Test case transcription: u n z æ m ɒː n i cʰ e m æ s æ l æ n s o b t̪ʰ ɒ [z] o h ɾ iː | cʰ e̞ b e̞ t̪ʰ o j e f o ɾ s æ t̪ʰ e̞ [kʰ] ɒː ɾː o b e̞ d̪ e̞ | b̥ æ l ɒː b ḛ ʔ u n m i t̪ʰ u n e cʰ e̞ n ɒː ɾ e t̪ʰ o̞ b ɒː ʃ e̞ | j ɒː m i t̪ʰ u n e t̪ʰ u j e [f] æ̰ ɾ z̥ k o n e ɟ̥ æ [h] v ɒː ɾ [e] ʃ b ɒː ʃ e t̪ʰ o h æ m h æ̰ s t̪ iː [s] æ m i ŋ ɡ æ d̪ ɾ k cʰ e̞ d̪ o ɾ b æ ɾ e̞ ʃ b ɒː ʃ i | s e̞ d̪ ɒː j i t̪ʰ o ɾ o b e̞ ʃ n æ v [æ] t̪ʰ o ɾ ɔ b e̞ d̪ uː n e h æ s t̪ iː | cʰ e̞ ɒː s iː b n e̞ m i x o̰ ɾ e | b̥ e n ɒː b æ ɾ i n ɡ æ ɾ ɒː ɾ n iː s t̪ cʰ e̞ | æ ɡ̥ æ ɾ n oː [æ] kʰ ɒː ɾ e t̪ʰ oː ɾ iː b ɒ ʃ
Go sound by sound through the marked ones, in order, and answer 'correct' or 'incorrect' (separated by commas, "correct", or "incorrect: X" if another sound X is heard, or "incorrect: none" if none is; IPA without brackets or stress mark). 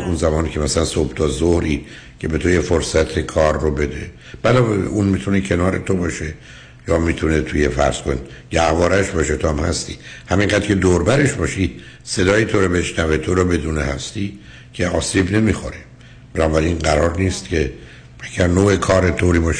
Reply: correct, correct, correct, correct, incorrect: æ, incorrect: h, incorrect: e, incorrect: e